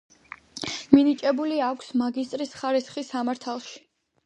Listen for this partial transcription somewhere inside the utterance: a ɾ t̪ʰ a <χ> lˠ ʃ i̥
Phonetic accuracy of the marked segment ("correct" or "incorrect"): incorrect